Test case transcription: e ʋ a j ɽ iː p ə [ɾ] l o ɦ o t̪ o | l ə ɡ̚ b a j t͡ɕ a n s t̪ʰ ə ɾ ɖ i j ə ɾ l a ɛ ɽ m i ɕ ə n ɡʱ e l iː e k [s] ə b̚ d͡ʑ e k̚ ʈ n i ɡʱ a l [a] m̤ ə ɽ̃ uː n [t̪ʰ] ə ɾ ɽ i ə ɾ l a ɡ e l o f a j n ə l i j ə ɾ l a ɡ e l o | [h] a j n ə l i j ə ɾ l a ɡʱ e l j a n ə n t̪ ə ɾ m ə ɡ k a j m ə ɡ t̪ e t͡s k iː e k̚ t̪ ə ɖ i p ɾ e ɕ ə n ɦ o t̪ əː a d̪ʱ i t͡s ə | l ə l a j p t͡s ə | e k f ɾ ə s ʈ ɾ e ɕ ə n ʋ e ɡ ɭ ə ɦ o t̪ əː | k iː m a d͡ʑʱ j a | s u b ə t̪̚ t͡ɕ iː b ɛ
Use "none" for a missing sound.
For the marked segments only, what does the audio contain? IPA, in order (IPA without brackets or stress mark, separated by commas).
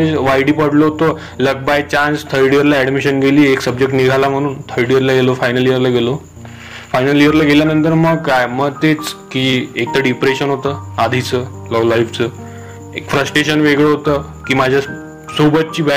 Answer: ɽ, s, a, t̪ʰ, f